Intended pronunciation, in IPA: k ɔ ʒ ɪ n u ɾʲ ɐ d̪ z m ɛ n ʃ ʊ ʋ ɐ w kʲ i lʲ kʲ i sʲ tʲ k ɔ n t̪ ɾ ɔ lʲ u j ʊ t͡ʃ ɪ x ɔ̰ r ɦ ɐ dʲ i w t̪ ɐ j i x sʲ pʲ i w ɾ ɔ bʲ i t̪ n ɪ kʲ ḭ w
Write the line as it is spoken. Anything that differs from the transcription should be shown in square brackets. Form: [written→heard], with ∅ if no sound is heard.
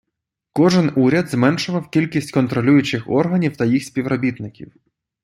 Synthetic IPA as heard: k ɔ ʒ ɪ n u ɾʲ ɐ d̪ z m ɛ n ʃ ʊ ʋ ɐ w kʲ i lʲ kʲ i sʲ tʲ k ɔ n t̪ ɾ ɔ lʲ u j ʊ t͡ʃ ɪ x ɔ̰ r ɦ ɐ [dʲ→nʲ] i w t̪ ɐ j i x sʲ pʲ i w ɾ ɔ bʲ i t̪ n ɪ kʲ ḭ w